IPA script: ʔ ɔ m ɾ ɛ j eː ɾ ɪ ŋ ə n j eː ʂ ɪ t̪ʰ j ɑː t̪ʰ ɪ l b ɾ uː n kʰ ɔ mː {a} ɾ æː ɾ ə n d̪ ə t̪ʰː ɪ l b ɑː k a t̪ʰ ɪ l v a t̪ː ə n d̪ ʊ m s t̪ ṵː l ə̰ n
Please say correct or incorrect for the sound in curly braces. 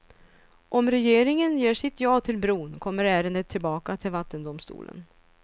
incorrect